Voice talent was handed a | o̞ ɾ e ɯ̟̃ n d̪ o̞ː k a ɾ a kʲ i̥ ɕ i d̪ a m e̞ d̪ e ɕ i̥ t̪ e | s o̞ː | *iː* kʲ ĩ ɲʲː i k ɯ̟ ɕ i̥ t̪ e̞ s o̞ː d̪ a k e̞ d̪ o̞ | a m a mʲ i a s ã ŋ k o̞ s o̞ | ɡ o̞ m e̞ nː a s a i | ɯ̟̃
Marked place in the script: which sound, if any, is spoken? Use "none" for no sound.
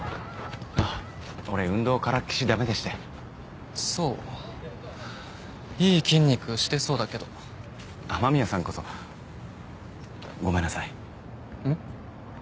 iː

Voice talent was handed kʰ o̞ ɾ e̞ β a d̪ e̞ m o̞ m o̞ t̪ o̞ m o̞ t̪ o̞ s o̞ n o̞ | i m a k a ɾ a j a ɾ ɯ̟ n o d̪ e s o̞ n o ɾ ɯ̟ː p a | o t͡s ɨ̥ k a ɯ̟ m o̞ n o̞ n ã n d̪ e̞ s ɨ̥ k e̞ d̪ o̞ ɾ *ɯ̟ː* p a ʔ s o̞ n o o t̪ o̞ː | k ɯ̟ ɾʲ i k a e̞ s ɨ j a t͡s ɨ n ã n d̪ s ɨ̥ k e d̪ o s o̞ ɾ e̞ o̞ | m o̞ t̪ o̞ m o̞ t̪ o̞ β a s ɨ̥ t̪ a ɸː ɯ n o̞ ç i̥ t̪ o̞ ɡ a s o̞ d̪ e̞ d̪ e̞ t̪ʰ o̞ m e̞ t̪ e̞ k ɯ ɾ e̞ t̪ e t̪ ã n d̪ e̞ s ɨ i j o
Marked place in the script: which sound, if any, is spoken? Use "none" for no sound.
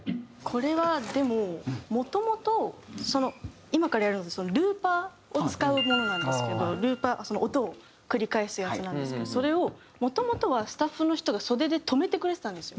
ɯ̟ː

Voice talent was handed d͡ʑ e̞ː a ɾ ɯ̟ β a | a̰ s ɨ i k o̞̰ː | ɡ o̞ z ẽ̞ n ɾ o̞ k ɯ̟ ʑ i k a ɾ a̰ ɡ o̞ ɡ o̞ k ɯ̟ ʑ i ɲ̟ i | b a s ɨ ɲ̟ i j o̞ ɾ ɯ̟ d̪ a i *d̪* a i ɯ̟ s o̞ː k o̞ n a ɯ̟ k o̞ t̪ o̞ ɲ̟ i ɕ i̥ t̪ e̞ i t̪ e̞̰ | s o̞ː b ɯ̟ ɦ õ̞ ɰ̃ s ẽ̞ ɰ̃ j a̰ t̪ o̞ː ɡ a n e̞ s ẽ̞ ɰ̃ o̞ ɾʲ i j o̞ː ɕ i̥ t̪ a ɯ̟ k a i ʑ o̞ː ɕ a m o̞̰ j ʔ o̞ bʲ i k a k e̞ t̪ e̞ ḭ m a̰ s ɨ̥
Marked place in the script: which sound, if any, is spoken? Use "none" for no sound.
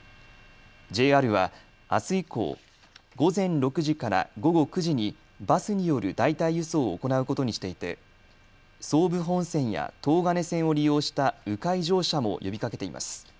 t̪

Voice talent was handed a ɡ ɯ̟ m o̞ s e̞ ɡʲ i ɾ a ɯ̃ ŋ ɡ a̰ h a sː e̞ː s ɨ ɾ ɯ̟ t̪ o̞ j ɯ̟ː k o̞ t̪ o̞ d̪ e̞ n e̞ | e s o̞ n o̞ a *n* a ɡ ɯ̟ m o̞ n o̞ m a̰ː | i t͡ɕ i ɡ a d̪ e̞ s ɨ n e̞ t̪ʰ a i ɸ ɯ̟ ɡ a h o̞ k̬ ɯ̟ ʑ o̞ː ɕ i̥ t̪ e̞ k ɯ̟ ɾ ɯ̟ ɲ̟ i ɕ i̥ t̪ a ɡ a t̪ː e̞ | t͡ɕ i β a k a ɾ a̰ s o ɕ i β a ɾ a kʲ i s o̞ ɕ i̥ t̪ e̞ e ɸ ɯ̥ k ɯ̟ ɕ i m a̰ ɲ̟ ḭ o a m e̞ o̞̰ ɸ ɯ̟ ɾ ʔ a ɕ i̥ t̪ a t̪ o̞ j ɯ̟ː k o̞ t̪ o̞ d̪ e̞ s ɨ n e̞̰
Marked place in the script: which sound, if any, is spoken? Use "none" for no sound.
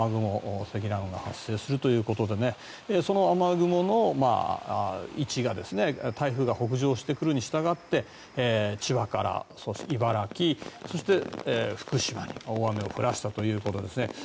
m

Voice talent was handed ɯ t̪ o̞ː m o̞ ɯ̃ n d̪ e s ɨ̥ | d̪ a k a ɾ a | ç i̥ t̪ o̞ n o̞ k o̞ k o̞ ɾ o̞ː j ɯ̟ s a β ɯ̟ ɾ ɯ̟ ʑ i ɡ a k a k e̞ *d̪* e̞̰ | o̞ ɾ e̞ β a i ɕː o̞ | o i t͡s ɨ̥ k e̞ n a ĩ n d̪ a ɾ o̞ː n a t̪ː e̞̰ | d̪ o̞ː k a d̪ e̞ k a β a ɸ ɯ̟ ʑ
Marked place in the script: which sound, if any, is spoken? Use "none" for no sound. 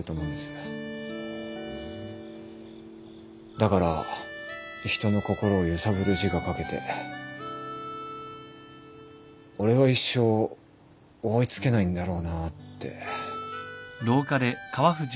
t̪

